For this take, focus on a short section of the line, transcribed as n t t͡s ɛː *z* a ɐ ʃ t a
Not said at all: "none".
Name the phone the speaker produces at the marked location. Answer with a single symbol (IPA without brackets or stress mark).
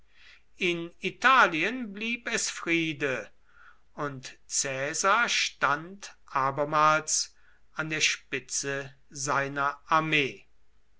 z